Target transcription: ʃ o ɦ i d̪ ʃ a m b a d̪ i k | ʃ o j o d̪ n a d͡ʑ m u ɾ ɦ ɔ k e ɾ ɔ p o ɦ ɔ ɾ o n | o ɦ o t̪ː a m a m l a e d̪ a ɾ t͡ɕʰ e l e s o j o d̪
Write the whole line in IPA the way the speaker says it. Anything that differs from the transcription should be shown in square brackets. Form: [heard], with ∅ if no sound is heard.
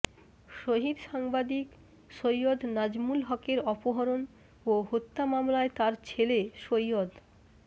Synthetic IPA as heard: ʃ o ɦ i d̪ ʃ a [ŋ] b a d̪ i k | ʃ o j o d̪ n a d͡ʑ m u [l] ɦ ɔ k e ɾ ɔ p o ɦ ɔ ɾ o n | o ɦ o t̪ː a m a m l a e [t̪] a ɾ t͡ɕʰ e l e [ʃ] o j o d̪